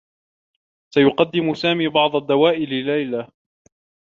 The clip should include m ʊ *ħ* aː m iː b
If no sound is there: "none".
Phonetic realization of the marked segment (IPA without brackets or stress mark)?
s